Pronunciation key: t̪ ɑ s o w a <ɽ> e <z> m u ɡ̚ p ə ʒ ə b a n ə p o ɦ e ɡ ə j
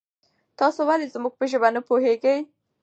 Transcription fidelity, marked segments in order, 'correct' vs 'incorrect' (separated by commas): incorrect, correct